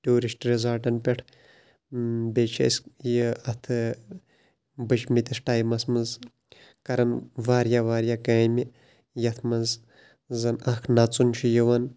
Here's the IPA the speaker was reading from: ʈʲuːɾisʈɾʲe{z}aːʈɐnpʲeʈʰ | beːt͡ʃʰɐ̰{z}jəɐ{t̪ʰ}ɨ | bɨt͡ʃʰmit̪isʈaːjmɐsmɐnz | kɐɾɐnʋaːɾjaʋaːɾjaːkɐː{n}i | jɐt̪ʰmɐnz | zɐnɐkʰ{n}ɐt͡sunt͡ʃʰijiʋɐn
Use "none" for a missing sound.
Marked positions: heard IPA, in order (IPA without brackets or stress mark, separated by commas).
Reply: z, s, t̪ʰ, m, n